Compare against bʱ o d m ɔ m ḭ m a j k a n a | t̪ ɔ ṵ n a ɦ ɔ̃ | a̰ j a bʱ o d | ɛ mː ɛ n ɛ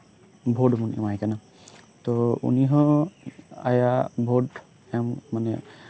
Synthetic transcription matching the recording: bʱ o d m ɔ n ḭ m a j k a n a | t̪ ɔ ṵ n i ɦ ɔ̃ | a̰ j a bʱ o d | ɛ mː a n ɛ